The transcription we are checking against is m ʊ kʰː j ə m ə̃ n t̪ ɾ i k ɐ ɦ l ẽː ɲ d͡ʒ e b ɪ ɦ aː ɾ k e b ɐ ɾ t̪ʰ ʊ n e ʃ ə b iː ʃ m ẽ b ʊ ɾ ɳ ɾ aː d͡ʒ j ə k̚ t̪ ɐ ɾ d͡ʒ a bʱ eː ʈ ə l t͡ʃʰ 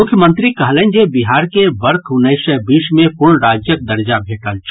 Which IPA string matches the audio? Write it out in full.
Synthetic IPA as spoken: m ʊ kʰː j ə m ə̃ n t̪ ɾ i k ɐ ɦ l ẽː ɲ d͡ʒ e b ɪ ɦ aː ɾ k e b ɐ ɾ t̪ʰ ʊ n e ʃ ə b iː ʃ m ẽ p ʊ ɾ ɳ ɾ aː d͡ʒ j ə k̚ d̪ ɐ ɾ d͡ʒ a bʱ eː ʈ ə l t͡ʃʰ